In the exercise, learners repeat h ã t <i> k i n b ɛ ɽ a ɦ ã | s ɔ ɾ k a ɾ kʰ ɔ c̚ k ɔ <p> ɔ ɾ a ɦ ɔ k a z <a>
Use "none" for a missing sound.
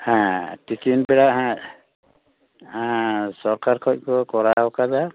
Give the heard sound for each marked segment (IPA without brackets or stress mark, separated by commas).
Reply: i, k, a